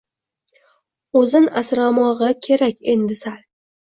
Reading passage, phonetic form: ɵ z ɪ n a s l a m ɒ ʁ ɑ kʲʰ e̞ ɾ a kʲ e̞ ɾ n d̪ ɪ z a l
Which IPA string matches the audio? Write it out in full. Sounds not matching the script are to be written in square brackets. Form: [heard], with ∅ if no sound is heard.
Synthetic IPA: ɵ z ɪ n a s [ɾ] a m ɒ ʁ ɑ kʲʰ e̞ ɾ a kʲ e̞ [∅] n d̪ ɪ [s] a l

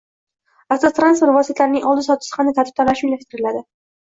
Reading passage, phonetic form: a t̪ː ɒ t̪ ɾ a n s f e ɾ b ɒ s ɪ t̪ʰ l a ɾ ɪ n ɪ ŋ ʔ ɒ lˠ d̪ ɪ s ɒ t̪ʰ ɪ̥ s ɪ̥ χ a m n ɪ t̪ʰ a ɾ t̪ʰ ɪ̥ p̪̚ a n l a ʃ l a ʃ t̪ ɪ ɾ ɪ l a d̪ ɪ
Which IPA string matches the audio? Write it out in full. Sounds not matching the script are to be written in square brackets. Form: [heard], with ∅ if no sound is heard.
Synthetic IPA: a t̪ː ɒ t̪ ɾ a n s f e ɾ [v] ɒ s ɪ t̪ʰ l a ɾ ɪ n ɪ ŋ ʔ ɒ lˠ d̪ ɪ s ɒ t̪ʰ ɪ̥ s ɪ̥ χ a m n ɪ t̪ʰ a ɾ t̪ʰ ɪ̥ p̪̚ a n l a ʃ l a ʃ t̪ ɪ ɾ ɪ l a d̪ ɪ

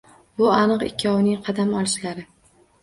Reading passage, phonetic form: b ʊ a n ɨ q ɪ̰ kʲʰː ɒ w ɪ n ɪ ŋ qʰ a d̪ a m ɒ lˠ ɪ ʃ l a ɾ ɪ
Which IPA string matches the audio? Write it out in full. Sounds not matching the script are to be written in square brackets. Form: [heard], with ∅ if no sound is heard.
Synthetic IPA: b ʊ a n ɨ q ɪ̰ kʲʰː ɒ w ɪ n ɪ ŋ qʰ [ɑ] d̪ a m ɒ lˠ ɪ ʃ l a ɾ ɪ

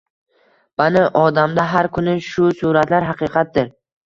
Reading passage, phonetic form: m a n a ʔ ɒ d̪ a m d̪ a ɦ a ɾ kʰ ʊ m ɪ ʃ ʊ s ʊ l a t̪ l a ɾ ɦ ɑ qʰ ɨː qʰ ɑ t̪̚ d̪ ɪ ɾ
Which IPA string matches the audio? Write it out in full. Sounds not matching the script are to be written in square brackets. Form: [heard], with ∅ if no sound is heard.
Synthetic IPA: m a n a ʔ ɒ d̪ a m d̪ a ɦ a ɾ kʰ ʊ [n] ɪ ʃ ʊ s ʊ [ɾ] a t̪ l a ɾ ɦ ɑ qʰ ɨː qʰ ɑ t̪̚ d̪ ɪ ɾ

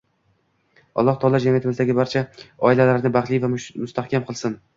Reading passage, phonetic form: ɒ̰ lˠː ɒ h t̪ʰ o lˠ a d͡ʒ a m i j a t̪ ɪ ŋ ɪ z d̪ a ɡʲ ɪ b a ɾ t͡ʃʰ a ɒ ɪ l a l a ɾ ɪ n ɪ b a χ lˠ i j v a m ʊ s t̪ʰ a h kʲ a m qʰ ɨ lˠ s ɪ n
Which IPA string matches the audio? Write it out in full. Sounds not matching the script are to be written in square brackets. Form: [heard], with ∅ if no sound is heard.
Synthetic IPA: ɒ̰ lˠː ɒ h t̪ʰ [ɒ] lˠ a d͡ʒ a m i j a t̪ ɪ [m] ɪ z d̪ a ɡʲ ɪ b a ɾ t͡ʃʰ a ɒ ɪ l a l a ɾ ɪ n ɪ b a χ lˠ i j v a m ʊ s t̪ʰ a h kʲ a m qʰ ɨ lˠ s ɪ n

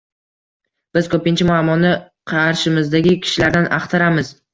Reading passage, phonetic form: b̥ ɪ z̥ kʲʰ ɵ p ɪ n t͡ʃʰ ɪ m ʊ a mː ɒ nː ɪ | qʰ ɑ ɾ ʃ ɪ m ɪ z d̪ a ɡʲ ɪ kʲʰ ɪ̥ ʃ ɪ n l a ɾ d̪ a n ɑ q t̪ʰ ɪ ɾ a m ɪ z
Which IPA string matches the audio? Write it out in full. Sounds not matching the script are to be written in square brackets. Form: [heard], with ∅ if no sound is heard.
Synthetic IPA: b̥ ɪ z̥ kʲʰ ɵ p ɪ n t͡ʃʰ ɪ m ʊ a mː ɒ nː ɪ | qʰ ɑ ɾ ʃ ɪ m ɪ z d̪ a ɡʲ ɪ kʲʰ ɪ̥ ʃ ɪ [∅] l a ɾ d̪ a n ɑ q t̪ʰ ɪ ɾ a m ɪ z

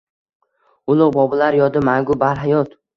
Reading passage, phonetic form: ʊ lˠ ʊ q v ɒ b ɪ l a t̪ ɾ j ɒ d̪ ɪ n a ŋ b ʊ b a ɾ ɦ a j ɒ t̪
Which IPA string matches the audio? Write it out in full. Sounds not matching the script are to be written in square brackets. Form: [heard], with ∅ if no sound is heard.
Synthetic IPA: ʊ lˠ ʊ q [b] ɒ b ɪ l a [∅] ɾ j ɒ d̪ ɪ [m] a ŋ [ɡ] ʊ b a ɾ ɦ a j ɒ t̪

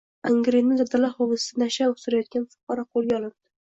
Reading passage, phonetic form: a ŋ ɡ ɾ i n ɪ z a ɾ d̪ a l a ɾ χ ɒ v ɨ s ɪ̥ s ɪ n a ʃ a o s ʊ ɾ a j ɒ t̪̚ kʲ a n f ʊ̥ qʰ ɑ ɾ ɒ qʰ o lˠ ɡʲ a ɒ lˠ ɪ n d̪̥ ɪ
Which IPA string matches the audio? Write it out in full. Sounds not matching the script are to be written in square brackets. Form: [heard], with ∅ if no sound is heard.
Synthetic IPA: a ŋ ɡ ɾ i n ɪ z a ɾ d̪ a l a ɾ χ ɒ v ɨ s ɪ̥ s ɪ n a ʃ a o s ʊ ɾ a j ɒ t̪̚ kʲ a n f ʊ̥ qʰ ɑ ɾ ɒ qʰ o lˠ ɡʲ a ɒ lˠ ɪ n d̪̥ ɪ

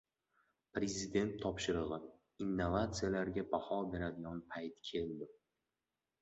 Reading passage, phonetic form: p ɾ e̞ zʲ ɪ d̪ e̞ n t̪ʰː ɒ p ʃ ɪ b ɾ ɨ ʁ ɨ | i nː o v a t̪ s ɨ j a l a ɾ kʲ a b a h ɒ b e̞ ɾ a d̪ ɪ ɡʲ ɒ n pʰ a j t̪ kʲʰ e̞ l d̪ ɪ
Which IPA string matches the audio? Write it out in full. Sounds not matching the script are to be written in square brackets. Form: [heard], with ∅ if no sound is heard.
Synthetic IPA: p ɾ e̞ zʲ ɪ d̪ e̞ n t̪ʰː ɒ p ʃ ɪ [∅] ɾ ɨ ʁ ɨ | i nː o v a t̪ s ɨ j a l a ɾ [ɡʲ] a b a h ɒ b e̞ ɾ a d̪ ɪ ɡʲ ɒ n pʰ a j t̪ kʲʰ e̞ l d̪ ɪ

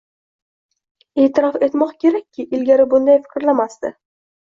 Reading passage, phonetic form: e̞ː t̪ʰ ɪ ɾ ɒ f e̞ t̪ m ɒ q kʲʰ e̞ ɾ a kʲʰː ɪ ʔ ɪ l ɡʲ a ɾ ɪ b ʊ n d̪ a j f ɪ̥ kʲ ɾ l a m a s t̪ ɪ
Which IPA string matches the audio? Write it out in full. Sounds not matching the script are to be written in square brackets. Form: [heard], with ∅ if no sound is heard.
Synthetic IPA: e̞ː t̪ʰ ɪ ɾ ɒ f e̞ t̪ m ɒ q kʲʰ e̞ ɾ a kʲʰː ɪ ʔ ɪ l ɡʲ a ɾ ɪ b ʊ n d̪ a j f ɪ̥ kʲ ɾ l a m a s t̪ ɪ

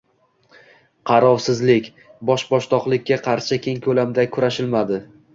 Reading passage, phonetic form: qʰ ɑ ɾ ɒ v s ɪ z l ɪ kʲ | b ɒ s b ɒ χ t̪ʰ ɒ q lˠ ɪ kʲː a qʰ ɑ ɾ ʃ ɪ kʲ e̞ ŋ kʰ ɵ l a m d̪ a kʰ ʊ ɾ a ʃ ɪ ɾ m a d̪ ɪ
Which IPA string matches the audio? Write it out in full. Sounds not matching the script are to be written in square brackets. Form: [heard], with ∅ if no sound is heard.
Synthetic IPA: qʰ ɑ ɾ ɒ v s ɪ z l ɪ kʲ | b ɒ [ʃ] b ɒ [ʃ] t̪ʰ ɒ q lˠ ɪ kʲː a qʰ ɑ ɾ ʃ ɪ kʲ e̞ ŋ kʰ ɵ l a m d̪ a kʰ ʊ ɾ a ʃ ɪ [l] m a d̪ ɪ

